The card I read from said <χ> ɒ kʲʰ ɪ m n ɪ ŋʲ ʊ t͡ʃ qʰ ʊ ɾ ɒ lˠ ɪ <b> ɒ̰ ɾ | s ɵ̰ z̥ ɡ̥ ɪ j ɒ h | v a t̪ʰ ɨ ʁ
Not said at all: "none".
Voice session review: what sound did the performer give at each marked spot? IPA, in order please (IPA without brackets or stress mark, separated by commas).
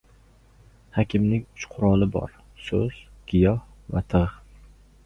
h, b